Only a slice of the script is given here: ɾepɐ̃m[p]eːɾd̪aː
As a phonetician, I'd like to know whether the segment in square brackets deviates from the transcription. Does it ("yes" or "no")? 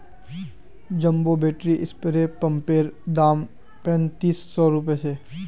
no